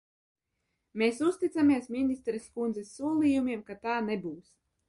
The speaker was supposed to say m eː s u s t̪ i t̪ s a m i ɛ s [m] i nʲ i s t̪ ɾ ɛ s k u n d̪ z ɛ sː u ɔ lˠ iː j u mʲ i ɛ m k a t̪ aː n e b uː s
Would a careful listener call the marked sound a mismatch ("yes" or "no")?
no